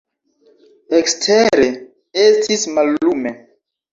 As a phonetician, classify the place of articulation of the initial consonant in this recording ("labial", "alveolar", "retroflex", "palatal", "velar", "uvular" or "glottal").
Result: velar